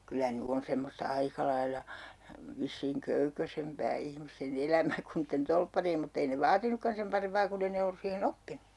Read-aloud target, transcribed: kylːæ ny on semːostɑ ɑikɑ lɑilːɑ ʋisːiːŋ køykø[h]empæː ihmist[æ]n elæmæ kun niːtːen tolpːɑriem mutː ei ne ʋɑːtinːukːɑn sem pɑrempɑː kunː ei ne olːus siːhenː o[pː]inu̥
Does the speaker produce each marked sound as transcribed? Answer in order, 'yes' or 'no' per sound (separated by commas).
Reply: no, no, yes